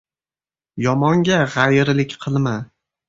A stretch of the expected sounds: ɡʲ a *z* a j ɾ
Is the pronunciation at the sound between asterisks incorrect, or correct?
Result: incorrect